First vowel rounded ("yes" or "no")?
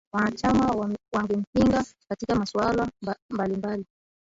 no